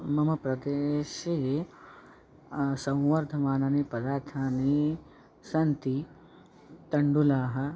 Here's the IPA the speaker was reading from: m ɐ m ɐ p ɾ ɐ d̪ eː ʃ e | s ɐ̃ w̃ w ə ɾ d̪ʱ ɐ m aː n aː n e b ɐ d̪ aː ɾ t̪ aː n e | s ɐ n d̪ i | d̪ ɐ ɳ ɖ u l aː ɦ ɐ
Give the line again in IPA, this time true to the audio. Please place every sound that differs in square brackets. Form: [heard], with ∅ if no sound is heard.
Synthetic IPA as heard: m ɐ m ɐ p ɾ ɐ d̪ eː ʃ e | s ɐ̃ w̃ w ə ɾ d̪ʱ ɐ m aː n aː n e [p] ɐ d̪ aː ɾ [t̪ʰ] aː n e | s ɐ n [t̪] i | [t̪] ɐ ɳ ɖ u l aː ɦ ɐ

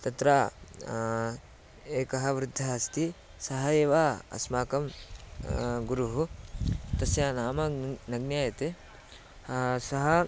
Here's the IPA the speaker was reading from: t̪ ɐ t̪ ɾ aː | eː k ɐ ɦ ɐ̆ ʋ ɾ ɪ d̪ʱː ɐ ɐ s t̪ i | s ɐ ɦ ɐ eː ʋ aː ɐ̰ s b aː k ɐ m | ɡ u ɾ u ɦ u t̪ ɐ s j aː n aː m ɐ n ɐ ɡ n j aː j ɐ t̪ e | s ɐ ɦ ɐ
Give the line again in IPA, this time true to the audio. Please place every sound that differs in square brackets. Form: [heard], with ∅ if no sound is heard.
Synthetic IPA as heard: t̪ ɐ t̪ ɾ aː | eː k ɐ ɦ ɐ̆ ʋ ɾ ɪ d̪ʱː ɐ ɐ s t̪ i | s ɐ ɦ ɐ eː ʋ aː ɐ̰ s [m] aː k ɐ m | ɡ u ɾ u ɦ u t̪ ɐ s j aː n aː m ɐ n ɐ ɡ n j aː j ɐ t̪ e | s ɐ ɦ ɐ

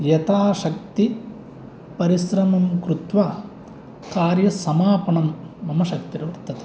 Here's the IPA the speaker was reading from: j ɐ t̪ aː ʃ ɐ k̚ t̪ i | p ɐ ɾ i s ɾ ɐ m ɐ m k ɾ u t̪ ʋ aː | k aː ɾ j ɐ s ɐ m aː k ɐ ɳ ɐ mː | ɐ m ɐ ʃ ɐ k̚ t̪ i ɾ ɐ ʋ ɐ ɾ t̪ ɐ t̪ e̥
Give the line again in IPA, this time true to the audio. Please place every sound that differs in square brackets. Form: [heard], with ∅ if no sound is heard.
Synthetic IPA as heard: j ɐ t̪ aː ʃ ɐ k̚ t̪ i | p ɐ ɾ i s ɾ ɐ m ɐ m k ɾ u t̪ ʋ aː | k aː ɾ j ɐ s ɐ m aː [p] ɐ ɳ ɐ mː | ɐ m ɐ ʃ ɐ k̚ t̪ i ɾ ɐ ʋ ɐ ɾ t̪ ɐ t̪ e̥

